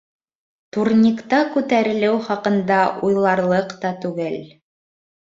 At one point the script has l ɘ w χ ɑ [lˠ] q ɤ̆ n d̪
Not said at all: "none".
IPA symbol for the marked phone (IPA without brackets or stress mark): none